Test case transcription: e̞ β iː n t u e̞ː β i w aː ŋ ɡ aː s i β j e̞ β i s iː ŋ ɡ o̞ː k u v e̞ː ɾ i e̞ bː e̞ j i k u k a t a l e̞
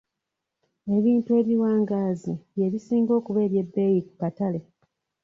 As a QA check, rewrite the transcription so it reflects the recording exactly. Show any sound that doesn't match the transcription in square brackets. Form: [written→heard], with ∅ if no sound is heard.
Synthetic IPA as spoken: e̞ β iː n t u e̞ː β i w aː ŋ ɡ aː [s→z] i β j e̞ β i s iː ŋ ɡ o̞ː k u [v→β] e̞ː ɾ [i→j] e̞ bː e̞ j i k u k a t a l e̞